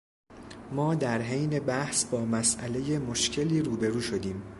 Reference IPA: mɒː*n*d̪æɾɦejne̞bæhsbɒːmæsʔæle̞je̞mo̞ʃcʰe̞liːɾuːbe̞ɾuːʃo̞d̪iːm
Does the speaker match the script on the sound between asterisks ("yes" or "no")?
no